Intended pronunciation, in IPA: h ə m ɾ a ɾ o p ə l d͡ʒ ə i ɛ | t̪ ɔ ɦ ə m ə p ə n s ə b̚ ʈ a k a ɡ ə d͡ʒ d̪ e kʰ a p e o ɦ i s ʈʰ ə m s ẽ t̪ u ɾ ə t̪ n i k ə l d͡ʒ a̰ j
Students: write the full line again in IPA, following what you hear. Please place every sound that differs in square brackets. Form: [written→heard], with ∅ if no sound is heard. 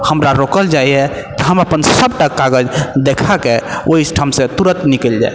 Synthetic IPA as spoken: h ə m ɾ a ɾ o [p→k] ə l d͡ʒ [ə→a] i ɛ | t̪ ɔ ɦ ə m ə p ə n s ə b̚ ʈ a k a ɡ ə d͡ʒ d̪ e kʰ a [p→k] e o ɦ i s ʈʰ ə m s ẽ t̪ u ɾ ə t̪ n i k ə l d͡ʒ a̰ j